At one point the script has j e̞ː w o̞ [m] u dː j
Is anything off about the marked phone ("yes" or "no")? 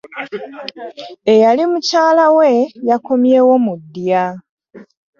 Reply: no